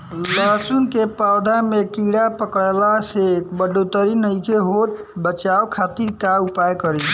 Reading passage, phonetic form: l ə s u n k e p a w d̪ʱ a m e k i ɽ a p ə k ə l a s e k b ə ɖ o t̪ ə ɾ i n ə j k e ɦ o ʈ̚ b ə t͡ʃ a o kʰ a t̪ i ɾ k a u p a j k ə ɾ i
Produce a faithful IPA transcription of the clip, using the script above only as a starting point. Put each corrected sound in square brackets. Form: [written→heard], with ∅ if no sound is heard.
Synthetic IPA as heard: l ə s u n k e p a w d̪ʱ a m e k i ɽ a p ə k ə l a s e k b ə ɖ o t̪ ə ɾ i n ə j k e ɦ o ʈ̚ b ə t͡ʃ a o kʰ a t̪ i ɾ k a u p a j k ə ɾ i